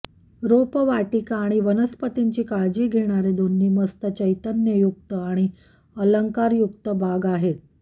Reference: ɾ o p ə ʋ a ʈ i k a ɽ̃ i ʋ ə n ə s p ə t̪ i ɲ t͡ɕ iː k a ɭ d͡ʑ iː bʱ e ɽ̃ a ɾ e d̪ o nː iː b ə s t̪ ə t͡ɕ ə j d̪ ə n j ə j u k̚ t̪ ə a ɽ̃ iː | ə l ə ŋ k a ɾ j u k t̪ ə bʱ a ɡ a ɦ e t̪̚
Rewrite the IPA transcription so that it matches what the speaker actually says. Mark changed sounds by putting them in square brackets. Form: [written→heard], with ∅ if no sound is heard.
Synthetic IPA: ɾ o p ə ʋ a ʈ i k a ɽ̃ i ʋ ə n ə s p ə t̪ i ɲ t͡ɕ iː k a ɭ d͡ʑ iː [bʱ→ɡʱ] e ɽ̃ a ɾ e d̪ o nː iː [b→m] ə s t̪ ə t͡ɕ ə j [d̪→t̪] ə n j ə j u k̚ t̪ ə a ɽ̃ [iː→i] | ə l ə ŋ k a ɾ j u k t̪ ə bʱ a ɡ a ɦ e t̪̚

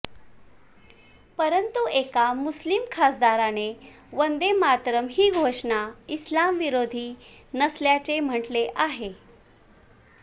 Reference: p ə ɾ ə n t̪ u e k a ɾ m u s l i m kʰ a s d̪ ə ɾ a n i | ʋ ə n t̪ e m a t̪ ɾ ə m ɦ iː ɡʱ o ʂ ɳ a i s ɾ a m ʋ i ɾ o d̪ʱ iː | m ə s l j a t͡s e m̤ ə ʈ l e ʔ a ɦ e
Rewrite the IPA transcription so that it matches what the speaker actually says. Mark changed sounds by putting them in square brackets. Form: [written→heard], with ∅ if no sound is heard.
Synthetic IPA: p ə ɾ ə n t̪ u e k a [ɾ→∅] m u s l i m kʰ a s d̪ [ə→a] ɾ a n [i→e] | ʋ ə n [t̪→d̪] e m a t̪ ɾ ə m ɦ iː ɡʱ o ʂ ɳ a i s [ɾ→l] a m ʋ i ɾ o d̪ʱ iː | [m→n] ə s l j a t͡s e m̤ ə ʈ l e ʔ a ɦ e

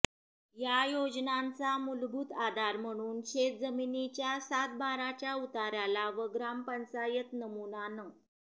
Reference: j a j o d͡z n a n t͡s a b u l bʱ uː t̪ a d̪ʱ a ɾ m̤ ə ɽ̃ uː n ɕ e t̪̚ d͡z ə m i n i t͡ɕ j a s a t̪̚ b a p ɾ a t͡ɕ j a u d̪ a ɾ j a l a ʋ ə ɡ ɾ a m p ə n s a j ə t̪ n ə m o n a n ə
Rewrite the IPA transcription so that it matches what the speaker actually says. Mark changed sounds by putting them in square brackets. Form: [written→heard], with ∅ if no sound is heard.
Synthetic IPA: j a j o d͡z n a n t͡s a [b→m] u l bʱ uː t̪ a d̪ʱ a ɾ m̤ ə ɽ̃ uː n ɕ e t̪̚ d͡z ə m i n i t͡ɕ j a s a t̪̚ b a [p→∅] ɾ a t͡ɕ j a u [d̪→t̪] a ɾ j a l a ʋ ə ɡ ɾ a m p ə n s a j ə t̪ n ə m [o→u] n a n ə

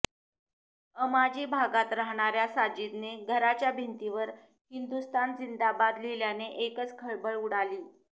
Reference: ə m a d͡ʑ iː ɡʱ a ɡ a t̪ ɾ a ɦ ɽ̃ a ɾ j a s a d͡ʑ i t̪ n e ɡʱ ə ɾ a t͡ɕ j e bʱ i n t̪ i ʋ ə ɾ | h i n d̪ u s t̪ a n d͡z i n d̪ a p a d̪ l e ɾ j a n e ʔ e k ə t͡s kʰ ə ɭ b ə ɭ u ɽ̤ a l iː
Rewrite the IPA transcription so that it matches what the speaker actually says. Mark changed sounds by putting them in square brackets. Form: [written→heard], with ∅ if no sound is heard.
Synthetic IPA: ə m a d͡ʑ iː [ɡʱ→bʱ] a ɡ a t̪ ɾ a ɦ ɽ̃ a ɾ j a s a d͡ʑ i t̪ n e ɡʱ ə ɾ a t͡ɕ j [e→a] bʱ i n t̪ i ʋ ə ɾ | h i n d̪ u s t̪ a n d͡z i n d̪ a [p→b] a d̪ l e [ɾ→l] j a n e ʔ e k ə t͡s kʰ ə ɭ b ə ɭ u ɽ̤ a l iː

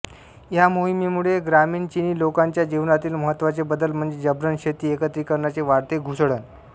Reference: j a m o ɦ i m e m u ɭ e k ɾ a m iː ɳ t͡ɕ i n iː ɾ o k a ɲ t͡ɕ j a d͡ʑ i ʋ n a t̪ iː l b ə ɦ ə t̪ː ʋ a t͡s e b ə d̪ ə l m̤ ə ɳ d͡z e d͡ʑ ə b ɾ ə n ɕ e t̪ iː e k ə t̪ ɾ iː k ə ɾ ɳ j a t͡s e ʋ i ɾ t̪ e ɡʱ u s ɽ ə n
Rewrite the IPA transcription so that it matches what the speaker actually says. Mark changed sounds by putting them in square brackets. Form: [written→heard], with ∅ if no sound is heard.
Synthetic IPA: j a m o ɦ i m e m u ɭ e [k→ɡ] ɾ a m iː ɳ t͡ɕ i n iː [ɾ→l] o k a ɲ t͡ɕ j a d͡ʑ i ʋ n a t̪ iː l [b→m] ə ɦ ə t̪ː ʋ a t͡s e b ə d̪ ə l m̤ ə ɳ d͡z e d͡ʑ ə b ɾ ə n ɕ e t̪ iː e k ə t̪ ɾ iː k ə ɾ ɳ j a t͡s e ʋ [i→a] ɾ t̪ e ɡʱ u s ɽ ə n

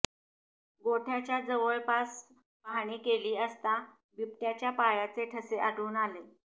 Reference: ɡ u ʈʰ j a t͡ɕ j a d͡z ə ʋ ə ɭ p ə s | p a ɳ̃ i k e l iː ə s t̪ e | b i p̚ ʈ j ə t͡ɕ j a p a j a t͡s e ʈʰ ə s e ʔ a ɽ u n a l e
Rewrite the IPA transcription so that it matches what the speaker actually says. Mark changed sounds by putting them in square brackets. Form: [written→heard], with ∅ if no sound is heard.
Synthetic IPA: ɡ [u→o] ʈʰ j a t͡ɕ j a d͡z ə ʋ ə ɭ p [ə→a] s | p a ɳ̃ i k e l iː ə s t̪ [e→a] | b i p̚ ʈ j [ə→a] t͡ɕ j a p a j a t͡s e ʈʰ ə s e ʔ a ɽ [u→uː] n a l e

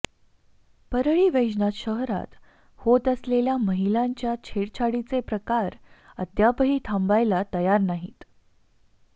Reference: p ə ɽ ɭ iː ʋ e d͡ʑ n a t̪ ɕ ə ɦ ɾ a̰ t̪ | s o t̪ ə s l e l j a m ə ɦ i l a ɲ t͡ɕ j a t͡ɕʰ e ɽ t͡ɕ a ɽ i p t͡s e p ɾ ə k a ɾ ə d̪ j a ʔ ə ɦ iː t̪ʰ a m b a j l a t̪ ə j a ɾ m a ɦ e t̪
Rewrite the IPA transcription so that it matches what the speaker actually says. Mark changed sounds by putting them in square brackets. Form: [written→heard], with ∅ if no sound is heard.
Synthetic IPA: p ə [ɽ→ɾ] ɭ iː ʋ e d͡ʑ n a t̪ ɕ ə ɦ ɾ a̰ t̪ | [s→h] o t̪ ə s l e l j a m ə ɦ i l a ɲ t͡ɕ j a t͡ɕʰ e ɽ [t͡ɕ→t͡ɕʰ] a ɽ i [p→∅] t͡s e p ɾ ə k a ɾ ə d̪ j a [ʔ→p] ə ɦ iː t̪ʰ a m b a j l a t̪ ə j a ɾ [m→n] a ɦ [e→i] t̪

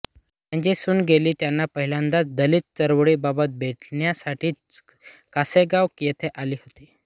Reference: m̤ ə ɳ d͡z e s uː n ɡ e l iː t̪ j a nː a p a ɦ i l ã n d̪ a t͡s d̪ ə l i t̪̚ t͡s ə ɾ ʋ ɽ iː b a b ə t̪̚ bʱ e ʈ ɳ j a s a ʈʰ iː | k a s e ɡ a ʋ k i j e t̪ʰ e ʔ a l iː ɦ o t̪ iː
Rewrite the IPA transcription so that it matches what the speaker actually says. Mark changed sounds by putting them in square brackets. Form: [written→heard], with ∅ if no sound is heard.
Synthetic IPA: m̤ ə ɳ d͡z e s uː n ɡ e l iː t̪ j a nː a p [a→ə] ɦ i l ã n d̪ a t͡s d̪ ə l i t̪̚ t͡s ə ɾ ʋ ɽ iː b a b ə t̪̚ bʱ e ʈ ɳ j a s a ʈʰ iː | k a s e ɡ a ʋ k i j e t̪ʰ e ʔ a l iː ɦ o t̪ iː

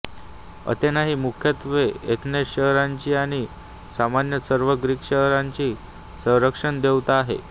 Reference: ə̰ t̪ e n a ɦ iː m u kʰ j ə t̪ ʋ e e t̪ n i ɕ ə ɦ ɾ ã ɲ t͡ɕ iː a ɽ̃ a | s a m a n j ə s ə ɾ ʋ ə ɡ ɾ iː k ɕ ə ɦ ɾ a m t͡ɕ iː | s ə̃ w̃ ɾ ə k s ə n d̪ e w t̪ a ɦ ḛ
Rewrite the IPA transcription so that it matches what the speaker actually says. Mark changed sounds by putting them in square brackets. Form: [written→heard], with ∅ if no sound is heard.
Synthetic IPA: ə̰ t̪ e n a ɦ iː m u kʰ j ə t̪ ʋ e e t̪ n [i→e] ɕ ə ɦ ɾ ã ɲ t͡ɕ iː a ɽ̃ [a→i] | s a m a n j ə s ə ɾ ʋ ə ɡ ɾ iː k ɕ ə ɦ ɾ a [m→ɲ] t͡ɕ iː | s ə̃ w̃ ɾ ə k [s→ʂ] ə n d̪ e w t̪ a ɦ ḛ

